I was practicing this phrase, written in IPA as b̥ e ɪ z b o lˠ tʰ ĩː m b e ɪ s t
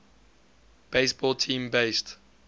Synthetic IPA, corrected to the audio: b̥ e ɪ s b ɔ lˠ tʰ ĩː m b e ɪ s t